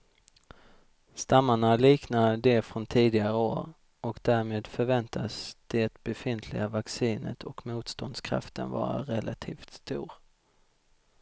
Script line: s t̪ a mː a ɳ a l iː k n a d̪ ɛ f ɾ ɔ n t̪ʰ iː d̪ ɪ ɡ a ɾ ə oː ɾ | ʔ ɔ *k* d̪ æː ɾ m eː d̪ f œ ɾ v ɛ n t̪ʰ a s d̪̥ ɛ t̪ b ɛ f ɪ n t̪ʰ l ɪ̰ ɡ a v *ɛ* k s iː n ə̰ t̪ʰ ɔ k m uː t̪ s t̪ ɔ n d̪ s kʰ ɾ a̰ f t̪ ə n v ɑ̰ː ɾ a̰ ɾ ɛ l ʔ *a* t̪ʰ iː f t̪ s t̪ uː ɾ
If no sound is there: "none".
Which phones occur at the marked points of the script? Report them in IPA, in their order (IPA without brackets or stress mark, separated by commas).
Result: k, a, a